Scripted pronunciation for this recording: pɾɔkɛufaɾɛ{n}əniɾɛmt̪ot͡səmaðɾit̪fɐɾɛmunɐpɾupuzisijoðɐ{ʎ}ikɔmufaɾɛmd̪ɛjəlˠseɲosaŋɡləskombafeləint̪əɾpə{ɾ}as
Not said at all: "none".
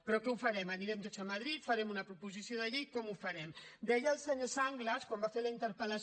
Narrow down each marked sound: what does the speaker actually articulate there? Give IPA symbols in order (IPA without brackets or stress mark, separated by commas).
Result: m, ʎ, l